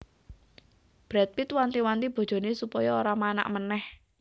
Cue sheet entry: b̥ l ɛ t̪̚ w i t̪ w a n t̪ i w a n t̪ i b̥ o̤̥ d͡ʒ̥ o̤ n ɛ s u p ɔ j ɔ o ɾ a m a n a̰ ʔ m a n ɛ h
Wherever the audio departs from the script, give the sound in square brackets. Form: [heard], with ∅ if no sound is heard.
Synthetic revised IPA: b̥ [ɾ] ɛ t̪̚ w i t̪ w a n t̪ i w a n t̪ i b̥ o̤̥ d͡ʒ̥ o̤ n [e] s u p ɔ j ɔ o ɾ a m a n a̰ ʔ m [ə] n ɛ h